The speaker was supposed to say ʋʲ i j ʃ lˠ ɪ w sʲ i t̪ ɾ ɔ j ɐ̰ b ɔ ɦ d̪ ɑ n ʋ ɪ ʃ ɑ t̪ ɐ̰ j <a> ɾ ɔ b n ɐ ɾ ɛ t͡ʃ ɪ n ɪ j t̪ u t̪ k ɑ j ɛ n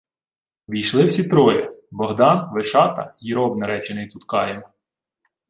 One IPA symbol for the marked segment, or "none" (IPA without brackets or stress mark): i